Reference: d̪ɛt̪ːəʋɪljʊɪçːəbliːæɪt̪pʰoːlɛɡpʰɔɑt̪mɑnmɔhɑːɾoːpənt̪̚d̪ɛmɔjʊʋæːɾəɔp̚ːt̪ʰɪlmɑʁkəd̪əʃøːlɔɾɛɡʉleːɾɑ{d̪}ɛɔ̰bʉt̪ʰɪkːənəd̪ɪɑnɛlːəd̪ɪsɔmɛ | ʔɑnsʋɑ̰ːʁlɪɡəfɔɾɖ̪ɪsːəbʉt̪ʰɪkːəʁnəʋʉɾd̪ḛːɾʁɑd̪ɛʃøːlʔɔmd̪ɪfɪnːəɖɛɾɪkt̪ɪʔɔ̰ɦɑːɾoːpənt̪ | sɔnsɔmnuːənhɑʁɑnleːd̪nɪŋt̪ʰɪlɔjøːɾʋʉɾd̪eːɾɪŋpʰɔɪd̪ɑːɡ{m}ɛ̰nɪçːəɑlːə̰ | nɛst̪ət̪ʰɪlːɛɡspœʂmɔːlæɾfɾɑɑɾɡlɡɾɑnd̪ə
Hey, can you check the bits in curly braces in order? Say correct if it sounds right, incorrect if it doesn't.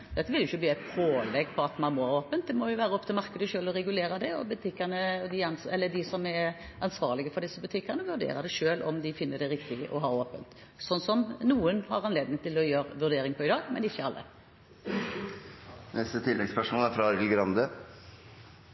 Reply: correct, correct

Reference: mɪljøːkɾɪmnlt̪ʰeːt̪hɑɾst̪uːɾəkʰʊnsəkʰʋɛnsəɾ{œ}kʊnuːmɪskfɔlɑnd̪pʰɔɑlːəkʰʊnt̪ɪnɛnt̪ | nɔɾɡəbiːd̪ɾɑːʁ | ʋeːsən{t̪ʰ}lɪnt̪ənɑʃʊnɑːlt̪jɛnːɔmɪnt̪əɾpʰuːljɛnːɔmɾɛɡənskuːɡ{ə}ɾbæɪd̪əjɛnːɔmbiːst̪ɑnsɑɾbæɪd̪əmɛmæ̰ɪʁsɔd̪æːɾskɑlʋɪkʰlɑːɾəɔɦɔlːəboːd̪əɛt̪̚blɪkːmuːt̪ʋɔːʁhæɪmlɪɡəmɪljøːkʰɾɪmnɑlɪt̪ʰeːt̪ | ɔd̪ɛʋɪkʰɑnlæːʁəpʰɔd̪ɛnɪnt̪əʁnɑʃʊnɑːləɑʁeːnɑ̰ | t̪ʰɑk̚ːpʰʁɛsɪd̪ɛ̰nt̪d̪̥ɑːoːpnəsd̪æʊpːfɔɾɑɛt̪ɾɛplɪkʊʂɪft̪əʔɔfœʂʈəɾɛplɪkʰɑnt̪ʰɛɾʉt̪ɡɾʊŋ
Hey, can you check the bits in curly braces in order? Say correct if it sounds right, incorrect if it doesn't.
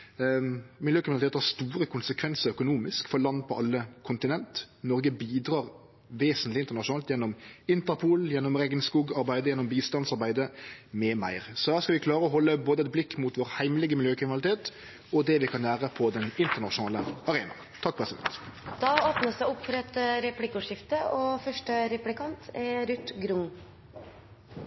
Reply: correct, incorrect, incorrect

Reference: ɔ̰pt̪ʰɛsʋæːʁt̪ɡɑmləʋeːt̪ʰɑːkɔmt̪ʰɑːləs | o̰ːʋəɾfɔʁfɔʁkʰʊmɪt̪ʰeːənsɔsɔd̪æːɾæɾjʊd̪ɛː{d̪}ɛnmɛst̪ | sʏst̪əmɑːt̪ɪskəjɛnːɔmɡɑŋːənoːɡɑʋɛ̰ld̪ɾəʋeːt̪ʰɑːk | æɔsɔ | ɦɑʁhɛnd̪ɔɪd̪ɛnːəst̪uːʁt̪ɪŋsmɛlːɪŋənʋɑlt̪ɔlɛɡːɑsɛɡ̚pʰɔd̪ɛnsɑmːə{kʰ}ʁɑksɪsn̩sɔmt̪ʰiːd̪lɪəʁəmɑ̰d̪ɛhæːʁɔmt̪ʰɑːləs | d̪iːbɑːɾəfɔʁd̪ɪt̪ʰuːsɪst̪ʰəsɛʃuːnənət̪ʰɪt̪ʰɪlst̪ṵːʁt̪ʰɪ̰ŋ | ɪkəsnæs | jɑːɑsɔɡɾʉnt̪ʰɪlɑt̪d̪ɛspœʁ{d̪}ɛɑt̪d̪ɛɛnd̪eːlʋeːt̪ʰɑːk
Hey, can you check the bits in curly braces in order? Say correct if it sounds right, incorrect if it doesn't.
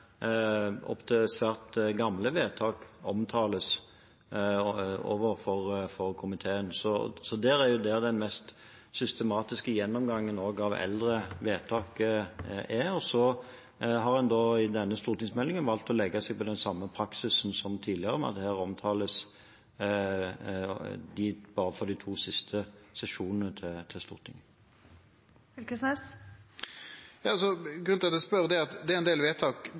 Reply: correct, incorrect, correct

